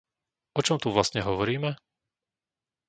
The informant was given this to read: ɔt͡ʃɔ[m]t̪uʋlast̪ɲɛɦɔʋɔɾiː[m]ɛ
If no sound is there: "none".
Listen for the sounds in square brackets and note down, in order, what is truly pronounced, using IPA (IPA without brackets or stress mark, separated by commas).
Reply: m, m